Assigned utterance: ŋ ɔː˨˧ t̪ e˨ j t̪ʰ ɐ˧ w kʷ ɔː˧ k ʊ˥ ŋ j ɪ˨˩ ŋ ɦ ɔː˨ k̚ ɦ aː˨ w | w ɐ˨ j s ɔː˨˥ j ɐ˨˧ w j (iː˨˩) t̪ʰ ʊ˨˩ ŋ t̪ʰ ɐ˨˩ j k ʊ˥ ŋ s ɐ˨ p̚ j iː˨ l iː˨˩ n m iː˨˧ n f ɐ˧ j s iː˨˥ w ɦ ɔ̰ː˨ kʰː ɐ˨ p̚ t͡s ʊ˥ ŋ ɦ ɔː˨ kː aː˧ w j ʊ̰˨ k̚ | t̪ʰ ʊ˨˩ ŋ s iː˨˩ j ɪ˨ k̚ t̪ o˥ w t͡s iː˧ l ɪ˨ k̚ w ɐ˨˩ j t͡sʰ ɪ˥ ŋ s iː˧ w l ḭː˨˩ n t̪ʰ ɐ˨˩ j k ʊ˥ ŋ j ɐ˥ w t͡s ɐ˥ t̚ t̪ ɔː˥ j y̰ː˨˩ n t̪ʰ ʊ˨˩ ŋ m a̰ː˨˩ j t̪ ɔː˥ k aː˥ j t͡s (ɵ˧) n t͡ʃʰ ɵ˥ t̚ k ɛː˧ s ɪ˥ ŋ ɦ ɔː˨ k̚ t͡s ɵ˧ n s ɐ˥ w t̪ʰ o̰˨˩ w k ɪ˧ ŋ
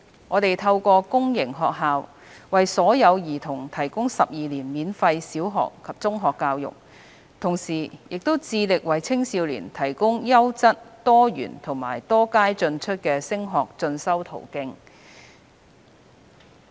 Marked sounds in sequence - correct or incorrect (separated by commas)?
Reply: correct, correct